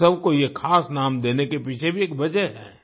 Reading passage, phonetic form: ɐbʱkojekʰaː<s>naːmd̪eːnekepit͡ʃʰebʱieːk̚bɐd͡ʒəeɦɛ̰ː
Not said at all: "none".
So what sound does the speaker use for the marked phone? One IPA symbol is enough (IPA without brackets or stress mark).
s